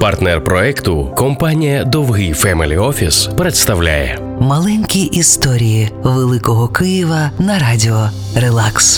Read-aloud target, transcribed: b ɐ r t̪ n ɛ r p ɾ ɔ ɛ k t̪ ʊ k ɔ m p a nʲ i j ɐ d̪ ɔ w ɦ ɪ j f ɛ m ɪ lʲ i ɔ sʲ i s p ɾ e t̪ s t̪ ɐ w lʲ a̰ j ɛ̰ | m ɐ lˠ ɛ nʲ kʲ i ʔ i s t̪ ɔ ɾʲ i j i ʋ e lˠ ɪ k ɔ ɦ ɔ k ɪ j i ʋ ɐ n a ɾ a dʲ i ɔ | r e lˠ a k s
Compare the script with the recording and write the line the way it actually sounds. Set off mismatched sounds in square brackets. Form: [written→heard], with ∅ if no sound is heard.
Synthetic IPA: [b→p] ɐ r t̪ n ɛ r p ɾ ɔ ɛ k t̪ ʊ k ɔ m p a nʲ i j ɐ d̪ ɔ w ɦ ɪ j f ɛ m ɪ lʲ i ɔ [sʲ→fʲ] i s p ɾ e t̪ s t̪ ɐ w lʲ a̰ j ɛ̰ | m ɐ lˠ ɛ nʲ kʲ i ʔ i s t̪ ɔ ɾʲ i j i ʋ e lˠ ɪ k ɔ ɦ ɔ k ɪ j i ʋ ɐ n [a→ɐ] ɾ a dʲ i ɔ | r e lˠ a k s